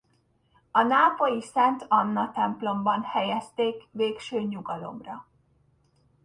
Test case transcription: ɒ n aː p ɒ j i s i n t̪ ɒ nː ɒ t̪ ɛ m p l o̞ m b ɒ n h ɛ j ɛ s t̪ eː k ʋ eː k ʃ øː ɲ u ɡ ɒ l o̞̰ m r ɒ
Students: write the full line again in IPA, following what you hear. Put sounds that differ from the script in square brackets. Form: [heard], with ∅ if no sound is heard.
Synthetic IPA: ɒ n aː p [o] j i s [ɛ] n t̪ ɒ nː ɒ t̪ ɛ m p l o̞ m b ɒ n h ɛ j ɛ s t̪ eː k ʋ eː k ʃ øː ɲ u ɡ ɒ l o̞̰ m r ɒ